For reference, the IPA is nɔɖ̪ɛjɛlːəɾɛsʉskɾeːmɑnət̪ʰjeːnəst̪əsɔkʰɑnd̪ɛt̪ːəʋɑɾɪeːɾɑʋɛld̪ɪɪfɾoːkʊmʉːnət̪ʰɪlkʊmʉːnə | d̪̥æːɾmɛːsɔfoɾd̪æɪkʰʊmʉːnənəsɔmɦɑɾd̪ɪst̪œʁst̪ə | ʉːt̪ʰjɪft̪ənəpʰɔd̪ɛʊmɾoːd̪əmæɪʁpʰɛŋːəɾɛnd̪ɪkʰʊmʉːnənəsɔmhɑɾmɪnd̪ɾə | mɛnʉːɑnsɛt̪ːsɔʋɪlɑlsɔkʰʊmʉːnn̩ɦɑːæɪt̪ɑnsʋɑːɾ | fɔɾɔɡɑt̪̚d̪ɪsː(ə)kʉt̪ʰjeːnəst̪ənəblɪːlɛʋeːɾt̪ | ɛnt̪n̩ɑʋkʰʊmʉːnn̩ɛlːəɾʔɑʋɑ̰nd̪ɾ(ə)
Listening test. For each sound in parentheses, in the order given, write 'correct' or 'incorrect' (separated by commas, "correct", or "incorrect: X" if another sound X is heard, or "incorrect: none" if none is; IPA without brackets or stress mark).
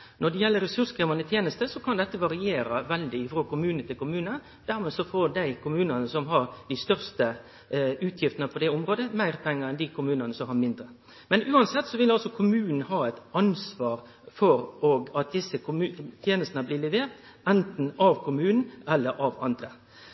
correct, correct